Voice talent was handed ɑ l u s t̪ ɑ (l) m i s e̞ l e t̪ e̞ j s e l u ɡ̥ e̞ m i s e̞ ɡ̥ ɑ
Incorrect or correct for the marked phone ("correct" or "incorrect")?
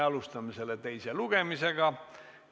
incorrect